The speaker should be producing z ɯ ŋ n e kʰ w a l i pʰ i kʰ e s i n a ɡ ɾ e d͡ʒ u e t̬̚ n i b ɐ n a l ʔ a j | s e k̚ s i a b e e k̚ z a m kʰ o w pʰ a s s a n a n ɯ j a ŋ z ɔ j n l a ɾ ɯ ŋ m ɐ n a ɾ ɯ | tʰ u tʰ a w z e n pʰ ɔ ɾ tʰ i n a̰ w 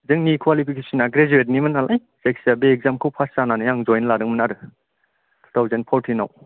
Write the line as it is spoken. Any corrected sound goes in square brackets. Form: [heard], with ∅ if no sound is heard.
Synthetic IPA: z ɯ ŋ n [i] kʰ w a l i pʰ i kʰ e s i n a ɡ ɾ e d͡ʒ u e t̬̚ n i [m] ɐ n a l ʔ a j | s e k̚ s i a b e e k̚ z a m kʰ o w pʰ a s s a n a n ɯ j a ŋ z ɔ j n l a ɾ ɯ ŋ m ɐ n a ɾ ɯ | tʰ u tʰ a w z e n pʰ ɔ ɾ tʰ i n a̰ w